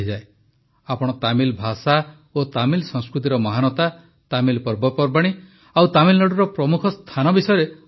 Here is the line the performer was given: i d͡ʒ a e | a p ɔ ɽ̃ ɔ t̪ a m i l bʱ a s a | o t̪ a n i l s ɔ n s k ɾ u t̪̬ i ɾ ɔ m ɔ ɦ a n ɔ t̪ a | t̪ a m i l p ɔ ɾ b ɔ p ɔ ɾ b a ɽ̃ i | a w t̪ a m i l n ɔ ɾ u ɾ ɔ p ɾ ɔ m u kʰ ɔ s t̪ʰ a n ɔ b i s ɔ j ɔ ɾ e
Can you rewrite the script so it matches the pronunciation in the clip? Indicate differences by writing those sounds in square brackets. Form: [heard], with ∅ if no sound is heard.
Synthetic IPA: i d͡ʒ a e | a p ɔ ɽ̃ ɔ t̪ a m i l bʱ a s a | o t̪ a [m] i l s ɔ [ŋ] s k ɾ u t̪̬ i ɾ ɔ m ɔ ɦ a n ɔ t̪ a | t̪ a m i l p ɔ ɾ b ɔ p ɔ ɾ b a ɽ̃ i | a w t̪ a m i l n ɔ [ɽ] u ɾ ɔ p ɾ ɔ m u kʰ ɔ s t̪ʰ a n ɔ b i s ɔ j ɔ ɾ e